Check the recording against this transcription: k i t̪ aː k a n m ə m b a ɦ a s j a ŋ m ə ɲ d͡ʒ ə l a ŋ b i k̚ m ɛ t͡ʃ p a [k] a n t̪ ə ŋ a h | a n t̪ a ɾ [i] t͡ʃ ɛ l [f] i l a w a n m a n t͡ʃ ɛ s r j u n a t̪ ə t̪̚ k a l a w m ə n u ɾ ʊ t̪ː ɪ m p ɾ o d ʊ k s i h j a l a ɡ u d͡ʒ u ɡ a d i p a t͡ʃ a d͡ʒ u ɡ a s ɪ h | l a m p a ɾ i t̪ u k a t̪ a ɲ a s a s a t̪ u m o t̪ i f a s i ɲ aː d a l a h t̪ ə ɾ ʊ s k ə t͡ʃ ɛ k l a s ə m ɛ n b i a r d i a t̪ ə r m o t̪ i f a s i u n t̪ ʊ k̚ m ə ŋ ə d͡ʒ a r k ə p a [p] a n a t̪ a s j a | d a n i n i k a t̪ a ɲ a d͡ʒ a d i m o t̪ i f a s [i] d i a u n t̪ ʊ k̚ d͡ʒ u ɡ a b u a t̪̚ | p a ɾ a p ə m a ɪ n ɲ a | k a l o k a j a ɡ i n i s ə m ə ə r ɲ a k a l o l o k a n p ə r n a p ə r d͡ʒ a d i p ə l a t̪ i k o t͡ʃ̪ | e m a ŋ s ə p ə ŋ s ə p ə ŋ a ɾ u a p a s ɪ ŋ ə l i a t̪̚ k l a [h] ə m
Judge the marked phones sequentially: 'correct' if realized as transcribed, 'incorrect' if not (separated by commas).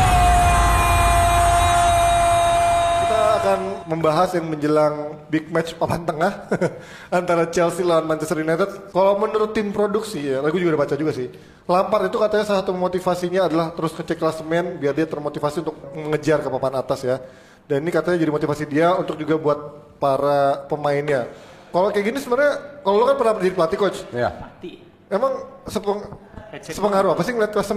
incorrect, incorrect, incorrect, correct, correct, incorrect